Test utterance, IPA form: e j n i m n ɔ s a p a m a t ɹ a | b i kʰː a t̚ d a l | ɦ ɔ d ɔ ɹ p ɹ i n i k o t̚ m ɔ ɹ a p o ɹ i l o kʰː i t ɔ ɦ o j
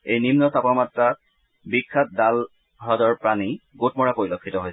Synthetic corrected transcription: e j n i m n ɔ s a p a m a t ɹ a | b i kʰː a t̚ d a l | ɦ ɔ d ɔ ɹ p ɹ a n i ɡ o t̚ m ɔ ɹ a p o ɹ i l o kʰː i t ɔ ɦ o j